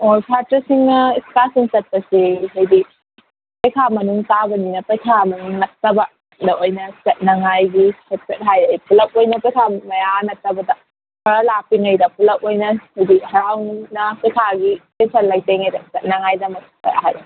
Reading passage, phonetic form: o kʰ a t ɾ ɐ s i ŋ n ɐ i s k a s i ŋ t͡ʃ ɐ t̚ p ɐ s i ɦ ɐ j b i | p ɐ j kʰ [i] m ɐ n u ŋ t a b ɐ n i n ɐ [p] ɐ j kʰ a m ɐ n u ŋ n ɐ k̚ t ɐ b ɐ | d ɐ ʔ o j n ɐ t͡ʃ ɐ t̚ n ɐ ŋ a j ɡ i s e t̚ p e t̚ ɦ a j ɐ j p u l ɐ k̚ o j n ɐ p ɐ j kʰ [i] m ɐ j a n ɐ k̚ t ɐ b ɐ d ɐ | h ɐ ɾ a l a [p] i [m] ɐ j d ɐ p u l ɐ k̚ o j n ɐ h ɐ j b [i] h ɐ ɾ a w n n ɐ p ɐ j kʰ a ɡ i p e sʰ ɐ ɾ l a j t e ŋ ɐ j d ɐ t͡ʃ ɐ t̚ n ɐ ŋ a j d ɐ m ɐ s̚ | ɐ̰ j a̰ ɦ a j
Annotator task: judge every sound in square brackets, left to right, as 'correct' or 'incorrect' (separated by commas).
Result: incorrect, correct, incorrect, correct, incorrect, correct